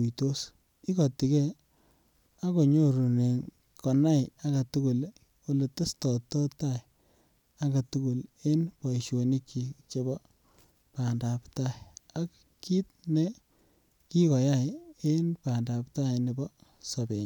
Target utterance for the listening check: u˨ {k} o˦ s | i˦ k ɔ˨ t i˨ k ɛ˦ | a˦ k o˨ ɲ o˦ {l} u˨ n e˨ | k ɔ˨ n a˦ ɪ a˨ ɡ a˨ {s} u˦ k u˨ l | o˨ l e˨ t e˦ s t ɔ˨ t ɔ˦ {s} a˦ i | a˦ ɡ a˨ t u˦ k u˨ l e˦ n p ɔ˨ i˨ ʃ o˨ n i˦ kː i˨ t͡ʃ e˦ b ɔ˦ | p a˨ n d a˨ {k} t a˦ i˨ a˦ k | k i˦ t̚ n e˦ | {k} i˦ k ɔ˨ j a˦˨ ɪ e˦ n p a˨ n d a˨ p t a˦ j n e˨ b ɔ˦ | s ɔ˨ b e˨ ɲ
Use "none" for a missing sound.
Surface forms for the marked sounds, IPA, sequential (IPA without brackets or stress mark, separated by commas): t, ɾ, t, t, p, k